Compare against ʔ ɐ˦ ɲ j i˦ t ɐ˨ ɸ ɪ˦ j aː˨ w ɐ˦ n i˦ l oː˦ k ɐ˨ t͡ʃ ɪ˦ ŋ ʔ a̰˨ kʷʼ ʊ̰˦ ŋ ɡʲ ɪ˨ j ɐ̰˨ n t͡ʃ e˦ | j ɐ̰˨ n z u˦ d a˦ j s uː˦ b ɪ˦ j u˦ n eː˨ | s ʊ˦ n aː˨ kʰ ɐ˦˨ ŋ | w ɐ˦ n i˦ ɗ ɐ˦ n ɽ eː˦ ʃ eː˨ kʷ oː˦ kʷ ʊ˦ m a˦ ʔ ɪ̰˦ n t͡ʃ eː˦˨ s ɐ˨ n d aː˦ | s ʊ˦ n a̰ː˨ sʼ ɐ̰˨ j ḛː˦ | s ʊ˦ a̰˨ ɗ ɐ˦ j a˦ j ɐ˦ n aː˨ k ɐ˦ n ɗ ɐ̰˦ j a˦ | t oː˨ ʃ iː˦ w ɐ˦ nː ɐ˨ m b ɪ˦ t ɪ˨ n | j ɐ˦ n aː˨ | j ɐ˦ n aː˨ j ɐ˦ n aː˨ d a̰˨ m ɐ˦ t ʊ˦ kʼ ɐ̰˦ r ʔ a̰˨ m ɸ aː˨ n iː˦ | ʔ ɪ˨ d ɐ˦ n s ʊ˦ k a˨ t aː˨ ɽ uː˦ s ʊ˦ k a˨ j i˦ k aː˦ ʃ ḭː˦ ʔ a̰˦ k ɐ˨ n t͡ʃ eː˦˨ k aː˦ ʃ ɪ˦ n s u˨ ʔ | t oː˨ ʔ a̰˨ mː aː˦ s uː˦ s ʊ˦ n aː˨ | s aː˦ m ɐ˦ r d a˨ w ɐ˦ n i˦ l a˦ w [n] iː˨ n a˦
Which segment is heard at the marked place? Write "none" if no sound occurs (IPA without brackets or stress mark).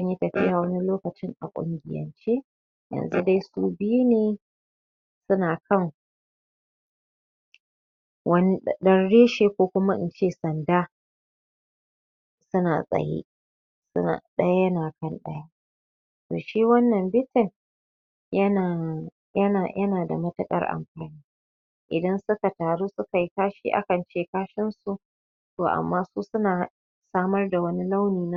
n